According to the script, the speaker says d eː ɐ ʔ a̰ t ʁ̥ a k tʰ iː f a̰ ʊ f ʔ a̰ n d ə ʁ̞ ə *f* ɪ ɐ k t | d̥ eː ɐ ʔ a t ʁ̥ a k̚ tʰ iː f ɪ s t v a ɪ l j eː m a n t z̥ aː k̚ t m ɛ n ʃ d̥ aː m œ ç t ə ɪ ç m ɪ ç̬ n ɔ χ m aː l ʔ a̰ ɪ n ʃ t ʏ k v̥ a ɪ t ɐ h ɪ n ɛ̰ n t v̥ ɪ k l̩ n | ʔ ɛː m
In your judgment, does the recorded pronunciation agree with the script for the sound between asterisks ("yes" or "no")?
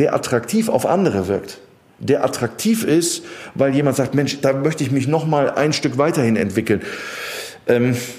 no